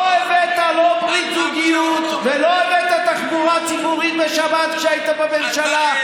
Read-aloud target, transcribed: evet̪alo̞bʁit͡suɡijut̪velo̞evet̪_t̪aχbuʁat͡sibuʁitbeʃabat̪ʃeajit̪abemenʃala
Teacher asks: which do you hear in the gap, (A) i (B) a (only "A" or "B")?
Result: B